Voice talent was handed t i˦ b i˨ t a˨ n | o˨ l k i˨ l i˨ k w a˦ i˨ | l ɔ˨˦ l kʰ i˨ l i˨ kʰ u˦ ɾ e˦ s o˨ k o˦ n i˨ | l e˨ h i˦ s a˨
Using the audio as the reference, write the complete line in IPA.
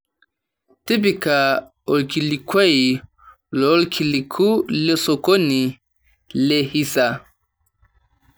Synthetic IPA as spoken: t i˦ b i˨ k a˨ | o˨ l k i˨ l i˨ k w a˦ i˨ | l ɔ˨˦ l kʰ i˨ l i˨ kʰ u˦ l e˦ s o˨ k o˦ n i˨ | l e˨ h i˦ s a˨